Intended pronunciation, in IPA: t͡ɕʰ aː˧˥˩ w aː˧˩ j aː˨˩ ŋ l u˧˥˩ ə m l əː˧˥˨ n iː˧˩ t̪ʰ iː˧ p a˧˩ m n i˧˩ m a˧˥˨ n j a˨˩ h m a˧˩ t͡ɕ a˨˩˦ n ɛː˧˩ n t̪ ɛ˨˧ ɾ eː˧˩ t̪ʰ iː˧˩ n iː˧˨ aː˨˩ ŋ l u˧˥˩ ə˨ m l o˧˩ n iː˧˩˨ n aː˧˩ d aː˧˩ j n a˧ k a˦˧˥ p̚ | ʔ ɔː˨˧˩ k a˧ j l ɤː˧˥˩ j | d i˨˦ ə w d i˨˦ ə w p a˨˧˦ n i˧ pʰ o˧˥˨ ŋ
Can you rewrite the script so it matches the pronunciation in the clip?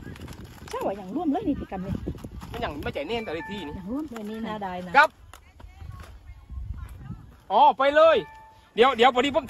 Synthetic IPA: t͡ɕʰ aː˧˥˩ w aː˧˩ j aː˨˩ ŋ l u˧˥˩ ə m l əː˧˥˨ n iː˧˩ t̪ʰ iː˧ k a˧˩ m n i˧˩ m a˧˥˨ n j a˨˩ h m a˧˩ t͡ɕ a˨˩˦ n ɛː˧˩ n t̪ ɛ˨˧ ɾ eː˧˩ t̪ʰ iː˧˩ n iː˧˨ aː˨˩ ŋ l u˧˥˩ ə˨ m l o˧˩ n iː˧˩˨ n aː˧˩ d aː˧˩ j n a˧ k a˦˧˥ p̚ | ʔ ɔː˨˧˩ p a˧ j l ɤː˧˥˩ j | d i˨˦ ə w d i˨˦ ə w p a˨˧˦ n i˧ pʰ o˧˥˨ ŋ